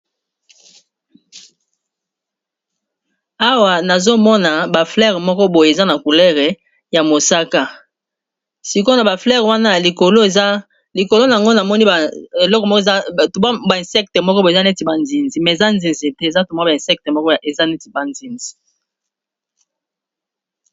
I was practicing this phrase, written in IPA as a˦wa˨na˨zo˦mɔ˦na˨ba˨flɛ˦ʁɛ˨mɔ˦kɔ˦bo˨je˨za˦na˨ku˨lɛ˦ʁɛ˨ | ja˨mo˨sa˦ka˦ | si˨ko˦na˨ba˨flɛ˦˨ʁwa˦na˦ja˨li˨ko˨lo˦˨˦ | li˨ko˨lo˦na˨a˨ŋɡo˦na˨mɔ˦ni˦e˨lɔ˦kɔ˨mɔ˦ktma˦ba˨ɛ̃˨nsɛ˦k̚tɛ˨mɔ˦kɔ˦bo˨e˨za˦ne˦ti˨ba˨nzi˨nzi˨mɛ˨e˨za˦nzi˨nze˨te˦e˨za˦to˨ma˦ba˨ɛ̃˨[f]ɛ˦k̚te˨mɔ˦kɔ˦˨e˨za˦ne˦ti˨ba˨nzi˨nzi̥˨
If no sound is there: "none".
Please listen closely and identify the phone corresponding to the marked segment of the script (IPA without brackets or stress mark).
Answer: s